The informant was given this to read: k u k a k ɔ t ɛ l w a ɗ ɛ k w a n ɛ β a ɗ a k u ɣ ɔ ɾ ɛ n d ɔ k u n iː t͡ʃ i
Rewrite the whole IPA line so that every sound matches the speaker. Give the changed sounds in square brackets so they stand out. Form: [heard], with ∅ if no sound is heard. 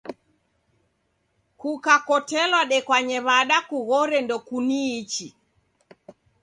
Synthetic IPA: k u k a k ɔ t ɛ l w a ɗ ɛ k w a [ɲ] ɛ β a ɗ a k u ɣ ɔ ɾ ɛ n d ɔ k u n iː t͡ʃ i